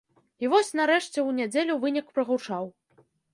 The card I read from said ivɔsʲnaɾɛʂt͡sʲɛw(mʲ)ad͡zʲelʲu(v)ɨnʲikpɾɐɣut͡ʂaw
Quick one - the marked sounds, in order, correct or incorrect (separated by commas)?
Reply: incorrect, correct